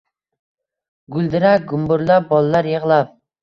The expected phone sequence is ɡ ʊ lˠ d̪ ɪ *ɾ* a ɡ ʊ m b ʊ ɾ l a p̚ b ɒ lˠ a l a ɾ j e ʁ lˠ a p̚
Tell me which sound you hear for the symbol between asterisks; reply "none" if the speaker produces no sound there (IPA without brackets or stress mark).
ɾ